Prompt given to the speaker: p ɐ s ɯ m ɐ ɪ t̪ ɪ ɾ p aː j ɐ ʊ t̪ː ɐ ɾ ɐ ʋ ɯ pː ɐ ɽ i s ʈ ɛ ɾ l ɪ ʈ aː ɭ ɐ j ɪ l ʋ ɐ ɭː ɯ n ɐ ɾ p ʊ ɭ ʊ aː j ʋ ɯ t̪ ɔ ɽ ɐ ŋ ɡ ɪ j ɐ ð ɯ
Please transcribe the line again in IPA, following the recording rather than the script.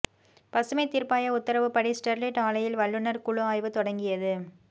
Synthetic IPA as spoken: p ɐ s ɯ m ɐ ɪ t̪ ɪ ɾ p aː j ɐ ʊ t̪ː ɐ ɾ ɐ ʋ ɯ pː ɐ ɽ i s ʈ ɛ ɾ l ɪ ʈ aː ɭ ɐ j ɪ l ʋ ɐ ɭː ɯ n ɐ ɾ k ʊ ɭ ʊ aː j ʋ ɯ t̪ ɔ ɽ ɐ ŋ ɡ ɪ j ɐ ð ɯ